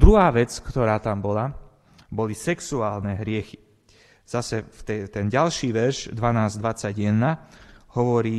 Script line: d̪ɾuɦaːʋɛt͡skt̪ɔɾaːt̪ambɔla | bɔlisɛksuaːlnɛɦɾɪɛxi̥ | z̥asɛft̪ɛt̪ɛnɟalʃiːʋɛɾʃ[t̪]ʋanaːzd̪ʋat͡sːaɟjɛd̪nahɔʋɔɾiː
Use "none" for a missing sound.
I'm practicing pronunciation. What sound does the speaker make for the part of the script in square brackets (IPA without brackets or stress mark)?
d̪